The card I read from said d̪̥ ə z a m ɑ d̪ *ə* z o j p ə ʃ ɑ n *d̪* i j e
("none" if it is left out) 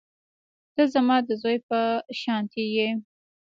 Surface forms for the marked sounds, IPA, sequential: ə, t̪

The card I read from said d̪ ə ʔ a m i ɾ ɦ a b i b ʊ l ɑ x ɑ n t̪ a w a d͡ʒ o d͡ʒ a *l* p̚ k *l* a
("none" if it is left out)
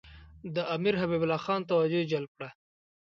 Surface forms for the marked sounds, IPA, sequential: l, ɽ

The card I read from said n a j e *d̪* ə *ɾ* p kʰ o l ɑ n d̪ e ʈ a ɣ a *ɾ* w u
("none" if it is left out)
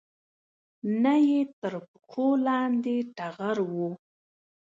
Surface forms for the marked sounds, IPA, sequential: t̪, ɾ, ɾ

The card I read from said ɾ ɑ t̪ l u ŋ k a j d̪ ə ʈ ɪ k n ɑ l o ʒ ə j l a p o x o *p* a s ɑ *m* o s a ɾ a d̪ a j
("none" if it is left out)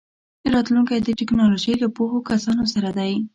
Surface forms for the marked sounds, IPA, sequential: k, n

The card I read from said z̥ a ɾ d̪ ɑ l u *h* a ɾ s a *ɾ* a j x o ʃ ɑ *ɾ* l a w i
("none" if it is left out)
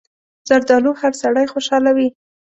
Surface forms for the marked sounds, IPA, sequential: h, ɽ, none

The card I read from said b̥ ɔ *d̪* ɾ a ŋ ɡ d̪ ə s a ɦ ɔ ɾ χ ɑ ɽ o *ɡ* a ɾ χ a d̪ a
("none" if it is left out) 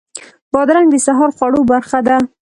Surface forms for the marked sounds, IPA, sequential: d̪, b

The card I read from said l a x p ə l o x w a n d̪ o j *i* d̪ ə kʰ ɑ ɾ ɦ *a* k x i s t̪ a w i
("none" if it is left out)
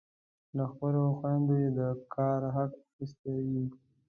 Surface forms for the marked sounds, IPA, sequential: e, a

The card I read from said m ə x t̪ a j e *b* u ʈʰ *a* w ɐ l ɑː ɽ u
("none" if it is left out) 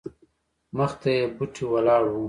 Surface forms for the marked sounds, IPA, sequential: b, i

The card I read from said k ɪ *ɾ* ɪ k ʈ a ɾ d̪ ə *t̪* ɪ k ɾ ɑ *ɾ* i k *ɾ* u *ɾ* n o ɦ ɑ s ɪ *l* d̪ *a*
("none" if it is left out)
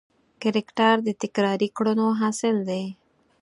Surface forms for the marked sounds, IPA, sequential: ɾ, t̪, ɾ, ɽ, none, l, e

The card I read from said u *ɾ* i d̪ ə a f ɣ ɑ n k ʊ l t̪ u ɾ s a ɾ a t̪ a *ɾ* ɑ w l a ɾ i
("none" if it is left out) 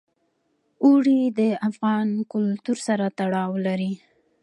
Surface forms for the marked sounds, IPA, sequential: ɽ, ɽ

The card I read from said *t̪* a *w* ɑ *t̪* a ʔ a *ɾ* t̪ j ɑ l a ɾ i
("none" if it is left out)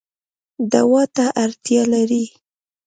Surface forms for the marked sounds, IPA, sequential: d̪, w, t̪, ɾ

